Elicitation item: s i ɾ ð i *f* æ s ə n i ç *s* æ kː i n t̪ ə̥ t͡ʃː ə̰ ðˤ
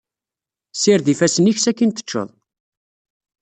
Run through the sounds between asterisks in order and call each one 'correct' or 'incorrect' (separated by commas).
correct, correct